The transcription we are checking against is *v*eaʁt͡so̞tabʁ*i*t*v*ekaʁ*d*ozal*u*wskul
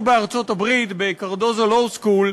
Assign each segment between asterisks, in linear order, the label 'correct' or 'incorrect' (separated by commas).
incorrect, correct, incorrect, correct, incorrect